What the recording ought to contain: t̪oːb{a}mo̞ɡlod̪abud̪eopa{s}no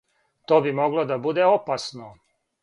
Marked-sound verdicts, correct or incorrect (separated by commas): incorrect, correct